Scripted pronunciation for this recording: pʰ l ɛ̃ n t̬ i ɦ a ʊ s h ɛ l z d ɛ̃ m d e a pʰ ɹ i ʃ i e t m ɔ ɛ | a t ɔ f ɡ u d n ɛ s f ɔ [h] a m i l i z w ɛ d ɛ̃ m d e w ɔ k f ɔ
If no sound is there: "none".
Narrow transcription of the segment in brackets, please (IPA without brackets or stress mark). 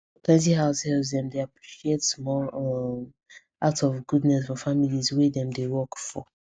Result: f